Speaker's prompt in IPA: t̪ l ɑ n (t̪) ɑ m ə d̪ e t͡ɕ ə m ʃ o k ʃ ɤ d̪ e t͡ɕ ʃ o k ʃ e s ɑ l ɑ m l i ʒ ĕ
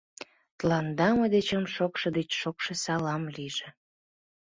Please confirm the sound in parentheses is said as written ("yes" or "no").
no